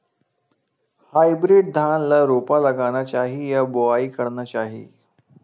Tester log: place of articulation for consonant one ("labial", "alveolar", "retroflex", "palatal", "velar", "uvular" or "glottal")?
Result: glottal